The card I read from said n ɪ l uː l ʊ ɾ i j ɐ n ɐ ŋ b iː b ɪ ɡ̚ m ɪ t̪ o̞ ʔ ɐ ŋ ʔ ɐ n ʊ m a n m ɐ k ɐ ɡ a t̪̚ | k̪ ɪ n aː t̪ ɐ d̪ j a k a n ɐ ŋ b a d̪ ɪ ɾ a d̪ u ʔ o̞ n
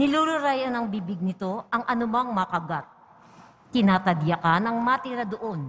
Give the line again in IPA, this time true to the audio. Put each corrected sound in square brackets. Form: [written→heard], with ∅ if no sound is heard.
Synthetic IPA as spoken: n ɪ l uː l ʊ ɾ [i→a] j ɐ n ɐ ŋ b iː b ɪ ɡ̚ [m→n] ɪ t̪ o̞ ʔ ɐ ŋ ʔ ɐ n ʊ m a [n→ŋ] m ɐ k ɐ ɡ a t̪̚ | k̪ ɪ n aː t̪ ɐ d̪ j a k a n ɐ ŋ [b→m] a [d̪→t̪] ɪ ɾ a d̪ [u→o] ʔ o̞ n